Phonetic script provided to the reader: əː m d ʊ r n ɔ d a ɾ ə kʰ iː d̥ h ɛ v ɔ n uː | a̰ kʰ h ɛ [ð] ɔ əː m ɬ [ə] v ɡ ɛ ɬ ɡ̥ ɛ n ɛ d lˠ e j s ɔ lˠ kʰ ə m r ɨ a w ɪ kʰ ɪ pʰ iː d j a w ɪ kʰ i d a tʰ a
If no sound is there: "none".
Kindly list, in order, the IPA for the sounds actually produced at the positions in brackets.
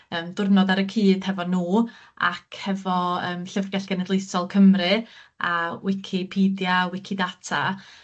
v, ə

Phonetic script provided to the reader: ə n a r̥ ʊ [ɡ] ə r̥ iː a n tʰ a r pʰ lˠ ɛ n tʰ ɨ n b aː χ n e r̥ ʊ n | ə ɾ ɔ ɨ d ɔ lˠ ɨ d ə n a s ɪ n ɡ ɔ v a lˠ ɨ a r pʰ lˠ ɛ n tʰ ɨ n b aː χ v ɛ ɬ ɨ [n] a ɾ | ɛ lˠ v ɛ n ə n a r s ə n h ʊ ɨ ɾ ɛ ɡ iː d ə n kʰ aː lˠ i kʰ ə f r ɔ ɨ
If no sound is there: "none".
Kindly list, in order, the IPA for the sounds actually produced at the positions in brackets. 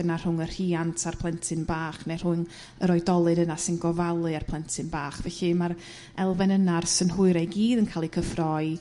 ŋ, m

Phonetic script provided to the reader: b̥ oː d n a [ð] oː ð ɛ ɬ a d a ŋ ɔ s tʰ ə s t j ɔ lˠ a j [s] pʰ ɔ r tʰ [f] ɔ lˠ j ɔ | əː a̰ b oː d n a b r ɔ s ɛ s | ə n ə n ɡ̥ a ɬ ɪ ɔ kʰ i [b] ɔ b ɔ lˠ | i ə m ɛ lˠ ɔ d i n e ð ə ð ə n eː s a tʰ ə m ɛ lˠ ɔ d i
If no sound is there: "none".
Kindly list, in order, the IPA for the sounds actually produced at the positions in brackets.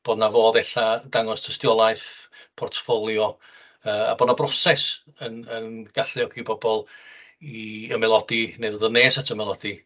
v, θ, f, b

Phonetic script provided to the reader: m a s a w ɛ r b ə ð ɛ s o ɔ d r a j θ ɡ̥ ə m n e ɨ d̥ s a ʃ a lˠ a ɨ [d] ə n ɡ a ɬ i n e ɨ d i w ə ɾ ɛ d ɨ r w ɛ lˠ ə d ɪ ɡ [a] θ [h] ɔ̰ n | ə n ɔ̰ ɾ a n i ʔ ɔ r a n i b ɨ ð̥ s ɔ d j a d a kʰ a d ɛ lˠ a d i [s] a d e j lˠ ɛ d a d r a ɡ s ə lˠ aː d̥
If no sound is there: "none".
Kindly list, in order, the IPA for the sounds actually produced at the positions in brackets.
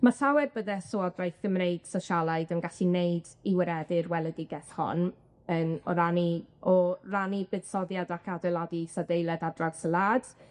d, ɛ, h, s

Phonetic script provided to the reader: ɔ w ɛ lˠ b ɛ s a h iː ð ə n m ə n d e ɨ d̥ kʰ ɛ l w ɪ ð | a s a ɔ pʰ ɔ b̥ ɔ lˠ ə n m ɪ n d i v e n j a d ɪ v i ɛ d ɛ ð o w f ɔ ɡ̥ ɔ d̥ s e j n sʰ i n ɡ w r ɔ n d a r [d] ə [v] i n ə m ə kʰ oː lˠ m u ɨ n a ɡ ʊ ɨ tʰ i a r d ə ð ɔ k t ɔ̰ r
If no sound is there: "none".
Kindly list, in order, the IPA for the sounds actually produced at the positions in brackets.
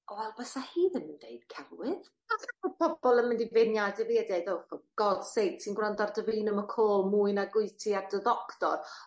d, v

